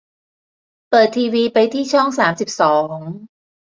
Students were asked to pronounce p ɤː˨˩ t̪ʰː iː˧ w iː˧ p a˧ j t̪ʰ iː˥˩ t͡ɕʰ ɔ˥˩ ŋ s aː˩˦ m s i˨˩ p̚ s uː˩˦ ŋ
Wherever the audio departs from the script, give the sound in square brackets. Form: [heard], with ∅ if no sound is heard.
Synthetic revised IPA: p ɤː˨˩ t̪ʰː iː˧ w iː˧ p a˧ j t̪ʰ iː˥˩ t͡ɕʰ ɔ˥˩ ŋ s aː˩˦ m s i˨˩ p̚ s [ɔː˩˦] ŋ